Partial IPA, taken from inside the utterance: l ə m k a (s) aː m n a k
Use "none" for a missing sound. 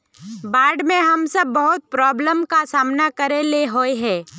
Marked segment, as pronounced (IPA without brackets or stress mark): s